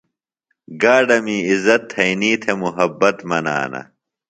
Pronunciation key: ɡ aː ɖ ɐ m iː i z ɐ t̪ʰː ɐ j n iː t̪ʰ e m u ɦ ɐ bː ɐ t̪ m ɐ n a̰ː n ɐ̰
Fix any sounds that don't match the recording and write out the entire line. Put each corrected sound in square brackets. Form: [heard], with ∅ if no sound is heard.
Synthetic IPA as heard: ɡ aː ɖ ɐ m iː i z ɐ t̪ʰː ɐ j n iː t̪ʰ e m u ɦ ɐ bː ɐ t̪ m ɐ n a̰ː n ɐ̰